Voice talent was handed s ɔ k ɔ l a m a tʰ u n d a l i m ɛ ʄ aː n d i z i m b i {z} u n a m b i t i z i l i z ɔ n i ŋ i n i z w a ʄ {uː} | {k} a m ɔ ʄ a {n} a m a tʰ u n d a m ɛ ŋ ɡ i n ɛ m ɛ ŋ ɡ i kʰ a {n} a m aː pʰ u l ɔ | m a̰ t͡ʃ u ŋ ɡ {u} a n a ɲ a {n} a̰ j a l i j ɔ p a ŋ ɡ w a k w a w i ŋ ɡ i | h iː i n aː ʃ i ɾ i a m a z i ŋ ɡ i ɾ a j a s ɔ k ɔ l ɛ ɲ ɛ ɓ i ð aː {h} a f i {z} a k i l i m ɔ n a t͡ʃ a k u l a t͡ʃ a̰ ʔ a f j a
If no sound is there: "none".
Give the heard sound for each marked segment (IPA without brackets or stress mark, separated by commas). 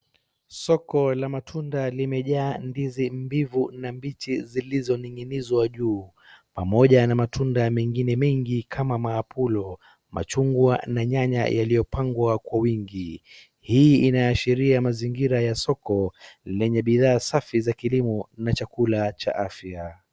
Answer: v, uː, p, n, m, w, ɲ, s, z